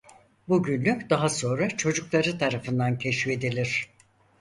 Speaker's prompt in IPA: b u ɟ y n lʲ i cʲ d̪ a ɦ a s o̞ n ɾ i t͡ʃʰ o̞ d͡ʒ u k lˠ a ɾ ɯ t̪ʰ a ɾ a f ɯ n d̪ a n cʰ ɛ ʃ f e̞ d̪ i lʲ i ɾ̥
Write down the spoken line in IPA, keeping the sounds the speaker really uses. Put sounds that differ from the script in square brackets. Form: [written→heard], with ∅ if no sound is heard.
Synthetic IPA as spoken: b u ɟ y n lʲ [i→y] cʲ d̪ a ɦ a s o̞ n ɾ [i→a] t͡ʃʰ o̞ d͡ʒ u k lˠ a ɾ ɯ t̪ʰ a ɾ a f ɯ n d̪ a n cʰ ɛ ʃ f e̞ d̪ i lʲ i ɾ̥